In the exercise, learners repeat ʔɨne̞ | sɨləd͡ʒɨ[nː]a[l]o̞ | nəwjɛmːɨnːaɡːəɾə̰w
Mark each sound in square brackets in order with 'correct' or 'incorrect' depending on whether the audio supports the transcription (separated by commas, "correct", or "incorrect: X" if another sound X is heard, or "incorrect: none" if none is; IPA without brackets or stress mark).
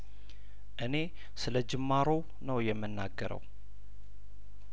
incorrect: mː, incorrect: ɾ